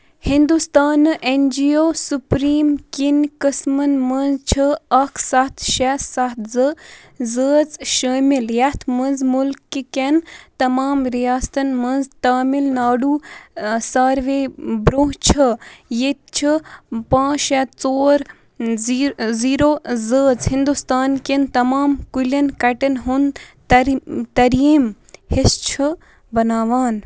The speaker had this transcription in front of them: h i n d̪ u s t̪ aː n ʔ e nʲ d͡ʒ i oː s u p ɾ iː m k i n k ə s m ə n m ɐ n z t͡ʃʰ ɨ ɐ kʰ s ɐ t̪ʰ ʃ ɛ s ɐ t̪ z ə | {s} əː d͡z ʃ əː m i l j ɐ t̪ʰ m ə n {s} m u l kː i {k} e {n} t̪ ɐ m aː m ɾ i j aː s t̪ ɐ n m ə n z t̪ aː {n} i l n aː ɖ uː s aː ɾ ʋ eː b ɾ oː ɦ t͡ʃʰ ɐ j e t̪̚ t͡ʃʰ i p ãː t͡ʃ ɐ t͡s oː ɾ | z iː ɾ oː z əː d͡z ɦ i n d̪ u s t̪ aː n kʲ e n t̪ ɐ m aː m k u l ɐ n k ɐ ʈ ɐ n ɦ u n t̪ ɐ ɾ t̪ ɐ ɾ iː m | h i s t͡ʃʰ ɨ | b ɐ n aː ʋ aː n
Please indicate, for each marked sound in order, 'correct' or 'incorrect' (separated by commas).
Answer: incorrect, incorrect, correct, correct, incorrect